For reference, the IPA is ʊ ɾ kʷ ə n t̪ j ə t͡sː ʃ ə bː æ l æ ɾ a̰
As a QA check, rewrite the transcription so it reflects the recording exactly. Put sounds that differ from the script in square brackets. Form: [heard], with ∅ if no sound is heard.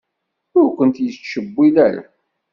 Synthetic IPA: ʊ ɾ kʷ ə n t̪ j ə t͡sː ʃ ə bː [i] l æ ɾ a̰

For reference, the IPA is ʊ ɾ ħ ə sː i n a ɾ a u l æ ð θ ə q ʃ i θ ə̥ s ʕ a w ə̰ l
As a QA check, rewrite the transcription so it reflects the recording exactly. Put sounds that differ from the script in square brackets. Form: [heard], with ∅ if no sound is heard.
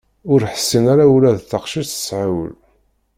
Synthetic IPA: ʊ ɾ ħ ə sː i n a ɾ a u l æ ð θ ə q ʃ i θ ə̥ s ʕ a w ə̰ l

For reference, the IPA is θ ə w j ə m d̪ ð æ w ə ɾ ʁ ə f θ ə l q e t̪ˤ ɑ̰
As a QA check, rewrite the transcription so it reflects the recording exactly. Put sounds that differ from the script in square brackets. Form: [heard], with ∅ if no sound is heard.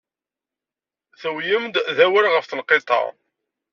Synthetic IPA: θ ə w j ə m d̪ ð æ w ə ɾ ʁ ə f θ ə l q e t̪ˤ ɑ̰

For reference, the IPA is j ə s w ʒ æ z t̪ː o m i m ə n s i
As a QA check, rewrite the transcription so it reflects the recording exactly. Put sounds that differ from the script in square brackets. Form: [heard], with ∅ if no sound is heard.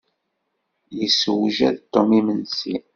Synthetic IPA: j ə s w ʒ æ [ð] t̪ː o m i m ə n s i

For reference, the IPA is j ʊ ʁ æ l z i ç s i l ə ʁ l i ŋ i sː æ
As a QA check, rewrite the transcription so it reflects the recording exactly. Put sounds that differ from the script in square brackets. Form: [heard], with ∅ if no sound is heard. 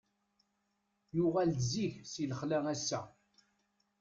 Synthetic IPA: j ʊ ʁ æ l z i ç s i l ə [χ] l [æ] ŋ [æ] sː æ

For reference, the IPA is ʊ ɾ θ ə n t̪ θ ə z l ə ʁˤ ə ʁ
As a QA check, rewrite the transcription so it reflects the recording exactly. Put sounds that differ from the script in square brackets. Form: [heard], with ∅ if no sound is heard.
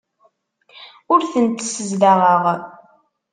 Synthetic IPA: ʊ ɾ θ ə n t̪ [s] ə z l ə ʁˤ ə ʁ

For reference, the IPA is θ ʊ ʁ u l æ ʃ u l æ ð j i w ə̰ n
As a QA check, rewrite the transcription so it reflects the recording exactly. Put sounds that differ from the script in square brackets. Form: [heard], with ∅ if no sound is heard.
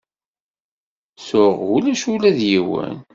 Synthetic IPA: [s] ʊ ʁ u l æ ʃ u l æ ð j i w ə̰ n

